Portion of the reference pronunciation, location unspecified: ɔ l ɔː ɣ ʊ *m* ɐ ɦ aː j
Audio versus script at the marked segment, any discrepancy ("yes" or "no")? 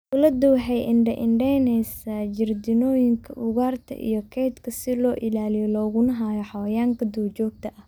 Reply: yes